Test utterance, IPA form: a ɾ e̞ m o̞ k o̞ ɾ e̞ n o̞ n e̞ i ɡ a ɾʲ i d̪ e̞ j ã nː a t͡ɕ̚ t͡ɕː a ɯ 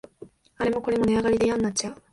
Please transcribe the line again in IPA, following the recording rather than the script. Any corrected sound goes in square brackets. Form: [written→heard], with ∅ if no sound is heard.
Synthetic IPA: a ɾ e̞ m o̞ k o̞ ɾ e̞ [n→m] o̞ n e̞ [i→a] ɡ a ɾʲ i d̪ e̞ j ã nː a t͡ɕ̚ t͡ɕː a ɯ

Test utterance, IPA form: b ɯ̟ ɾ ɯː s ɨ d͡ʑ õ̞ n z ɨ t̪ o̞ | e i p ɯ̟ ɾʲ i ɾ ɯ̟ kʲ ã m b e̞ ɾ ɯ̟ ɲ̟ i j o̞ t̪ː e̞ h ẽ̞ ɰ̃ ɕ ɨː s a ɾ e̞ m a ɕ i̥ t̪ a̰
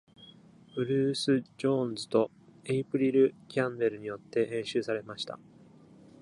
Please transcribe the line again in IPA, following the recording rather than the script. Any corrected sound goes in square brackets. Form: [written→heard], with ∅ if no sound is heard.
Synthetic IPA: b ɯ̟ ɾ ɯː s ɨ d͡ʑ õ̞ n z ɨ t̪ o̞ | e i p ɯ̟ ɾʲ i ɾ ɯ̟ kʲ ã m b e̞ ɾ ɯ̟ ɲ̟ i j o̞ t̪ː e̞ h ẽ̞ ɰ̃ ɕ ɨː s a ɾ e̞ m a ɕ i̥ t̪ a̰

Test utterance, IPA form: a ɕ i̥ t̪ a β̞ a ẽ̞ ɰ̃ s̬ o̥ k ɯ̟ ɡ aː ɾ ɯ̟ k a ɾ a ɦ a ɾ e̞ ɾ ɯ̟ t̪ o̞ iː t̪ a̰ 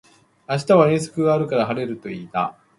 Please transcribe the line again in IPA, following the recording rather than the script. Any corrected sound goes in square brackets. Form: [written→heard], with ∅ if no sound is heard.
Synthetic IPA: a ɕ i̥ t̪ a β̞ a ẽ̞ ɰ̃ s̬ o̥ k ɯ̟ ɡ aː ɾ ɯ̟ k a ɾ a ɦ a ɾ e̞ ɾ ɯ̟ t̪ o̞ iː t̪ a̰

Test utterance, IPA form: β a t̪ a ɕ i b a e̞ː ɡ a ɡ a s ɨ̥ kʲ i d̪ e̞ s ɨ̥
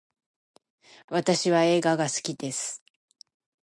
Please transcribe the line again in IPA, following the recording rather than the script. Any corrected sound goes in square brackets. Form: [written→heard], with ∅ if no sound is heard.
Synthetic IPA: β a t̪ a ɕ i [b→β] a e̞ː ɡ a ɡ a s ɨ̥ kʲ i d̪ e̞ s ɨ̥

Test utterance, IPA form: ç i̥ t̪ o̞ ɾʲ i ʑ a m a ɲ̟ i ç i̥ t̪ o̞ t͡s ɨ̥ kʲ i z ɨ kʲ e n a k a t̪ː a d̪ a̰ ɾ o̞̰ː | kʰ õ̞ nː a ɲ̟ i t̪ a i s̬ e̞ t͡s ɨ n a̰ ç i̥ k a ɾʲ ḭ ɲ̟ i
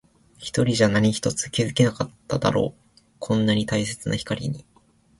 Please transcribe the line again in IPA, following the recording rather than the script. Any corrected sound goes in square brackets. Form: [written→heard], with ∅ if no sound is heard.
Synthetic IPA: ç i̥ t̪ o̞ ɾʲ i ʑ a [m→n] a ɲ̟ i ç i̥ t̪ o̞ t͡s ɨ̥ kʲ i z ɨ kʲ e n a k a t̪ː a d̪ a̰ ɾ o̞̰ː | kʰ õ̞ nː a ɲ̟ i t̪ a i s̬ e̞ t͡s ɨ n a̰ ç i̥ k a ɾʲ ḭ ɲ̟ i

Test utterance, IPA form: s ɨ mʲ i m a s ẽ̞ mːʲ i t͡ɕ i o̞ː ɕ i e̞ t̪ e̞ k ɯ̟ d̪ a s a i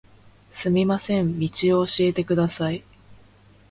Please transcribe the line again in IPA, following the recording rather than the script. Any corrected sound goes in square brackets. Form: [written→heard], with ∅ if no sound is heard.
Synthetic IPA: s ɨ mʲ i m a s ẽ̞ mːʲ i t͡ɕ i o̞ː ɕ i e̞ t̪ e̞ k ɯ̟ d̪ a s a i

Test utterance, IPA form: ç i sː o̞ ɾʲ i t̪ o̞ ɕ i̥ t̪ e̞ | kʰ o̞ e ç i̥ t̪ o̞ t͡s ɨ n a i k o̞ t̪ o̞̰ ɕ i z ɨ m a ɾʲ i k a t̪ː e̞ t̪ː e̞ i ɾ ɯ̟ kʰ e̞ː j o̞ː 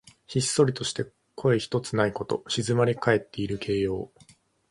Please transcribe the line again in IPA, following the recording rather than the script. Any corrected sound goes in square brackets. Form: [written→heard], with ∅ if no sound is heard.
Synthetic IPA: ç i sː o̞ ɾʲ i t̪ o̞ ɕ i̥ t̪ e̞ | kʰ o̞ e ç i̥ t̪ o̞ t͡s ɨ n a i k o̞ t̪ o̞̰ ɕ i z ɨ m a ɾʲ i k a [t̪ː→∅] e̞ t̪ː e̞ i ɾ ɯ̟ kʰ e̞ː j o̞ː

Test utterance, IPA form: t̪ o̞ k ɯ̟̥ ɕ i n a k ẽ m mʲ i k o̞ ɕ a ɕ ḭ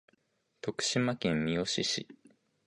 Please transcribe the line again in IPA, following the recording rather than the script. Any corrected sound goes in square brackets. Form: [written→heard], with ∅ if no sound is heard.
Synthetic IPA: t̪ o̞ k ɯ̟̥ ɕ i [n→m] a k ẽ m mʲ i [k→∅] o̞ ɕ [a→i] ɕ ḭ

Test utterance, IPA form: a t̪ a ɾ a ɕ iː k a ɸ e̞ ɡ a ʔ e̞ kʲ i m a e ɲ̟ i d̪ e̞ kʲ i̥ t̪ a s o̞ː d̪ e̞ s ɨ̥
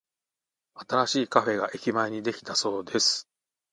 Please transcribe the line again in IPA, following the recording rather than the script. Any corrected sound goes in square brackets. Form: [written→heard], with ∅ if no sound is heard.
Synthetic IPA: a t̪ a ɾ a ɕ iː k a ɸ e̞ ɡ a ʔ e̞ kʲ i m a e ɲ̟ i d̪ e̞ kʲ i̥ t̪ a s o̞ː d̪ e̞ s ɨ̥

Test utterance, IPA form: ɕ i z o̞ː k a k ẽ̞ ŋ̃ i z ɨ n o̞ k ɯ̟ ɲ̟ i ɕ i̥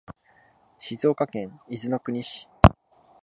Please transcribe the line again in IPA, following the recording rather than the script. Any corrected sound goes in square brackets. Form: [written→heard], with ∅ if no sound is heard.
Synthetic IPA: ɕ i z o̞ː k a k ẽ̞ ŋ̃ i z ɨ n o̞ k ɯ̟ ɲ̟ i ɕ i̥

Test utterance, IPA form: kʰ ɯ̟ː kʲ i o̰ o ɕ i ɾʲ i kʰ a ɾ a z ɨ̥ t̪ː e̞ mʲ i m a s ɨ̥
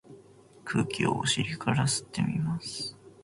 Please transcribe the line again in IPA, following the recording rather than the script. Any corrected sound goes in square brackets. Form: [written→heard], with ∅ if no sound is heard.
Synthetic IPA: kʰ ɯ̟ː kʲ i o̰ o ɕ i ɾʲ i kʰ a ɾ a [z→s] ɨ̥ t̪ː e̞ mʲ i m a s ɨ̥

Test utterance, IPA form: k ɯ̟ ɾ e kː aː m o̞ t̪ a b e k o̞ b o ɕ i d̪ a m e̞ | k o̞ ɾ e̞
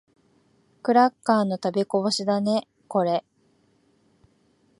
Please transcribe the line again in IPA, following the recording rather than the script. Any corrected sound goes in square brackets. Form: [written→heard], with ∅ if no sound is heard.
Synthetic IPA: k ɯ̟ ɾ [e→a] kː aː [m→n] o̞ t̪ a b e k o̞ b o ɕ i d̪ a [m→n] e̞ | k o̞ ɾ e̞

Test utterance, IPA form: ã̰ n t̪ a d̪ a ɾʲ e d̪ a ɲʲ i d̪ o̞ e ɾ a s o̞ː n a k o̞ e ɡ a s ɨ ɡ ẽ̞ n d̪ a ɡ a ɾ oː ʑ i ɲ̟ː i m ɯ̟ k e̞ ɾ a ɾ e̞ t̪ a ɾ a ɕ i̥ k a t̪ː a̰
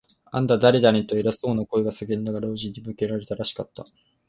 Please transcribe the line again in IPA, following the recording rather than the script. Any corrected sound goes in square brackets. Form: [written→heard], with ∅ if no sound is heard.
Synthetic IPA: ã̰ n [t̪→d̪] a d̪ a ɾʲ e d̪ a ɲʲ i [d̪→t̪] o̞ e ɾ a s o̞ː n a k o̞ e ɡ a s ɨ ɡ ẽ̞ n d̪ a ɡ a ɾ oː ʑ i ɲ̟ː i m ɯ̟ k e̞ ɾ a ɾ e̞ t̪ a ɾ a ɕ i̥ k a t̪ː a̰

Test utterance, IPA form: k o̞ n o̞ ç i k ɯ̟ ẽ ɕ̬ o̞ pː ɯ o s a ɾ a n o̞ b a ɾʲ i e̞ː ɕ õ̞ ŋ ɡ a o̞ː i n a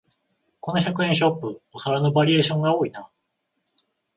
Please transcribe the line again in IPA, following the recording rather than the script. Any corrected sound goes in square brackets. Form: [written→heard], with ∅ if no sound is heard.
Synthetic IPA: k o̞ n o̞ ç [i→a] k ɯ̟ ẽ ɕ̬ o̞ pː ɯ o s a ɾ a n o̞ b a ɾʲ i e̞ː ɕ õ̞ ŋ ɡ a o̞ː i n a

